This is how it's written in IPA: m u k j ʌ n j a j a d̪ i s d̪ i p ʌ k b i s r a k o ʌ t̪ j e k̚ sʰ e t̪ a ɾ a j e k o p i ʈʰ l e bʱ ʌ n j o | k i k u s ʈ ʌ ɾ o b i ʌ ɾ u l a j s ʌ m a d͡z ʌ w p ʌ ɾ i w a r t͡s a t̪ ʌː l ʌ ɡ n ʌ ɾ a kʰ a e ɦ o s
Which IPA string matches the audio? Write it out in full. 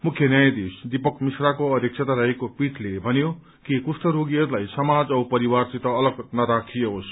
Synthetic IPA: m u kʰ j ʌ n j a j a d̪ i s d̪ i p ʌ k m i s r a k o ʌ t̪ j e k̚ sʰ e t̪ a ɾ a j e k o p i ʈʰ l e bʱ ʌ n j o | k i k u s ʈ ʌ ɾ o ɡ i ʌ ɾ u l a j s ʌ m a d͡z ʌ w p ʌ ɾ i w a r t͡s i t̪ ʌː l ʌ ɡ n ʌ ɾ a kʰ i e ɦ o s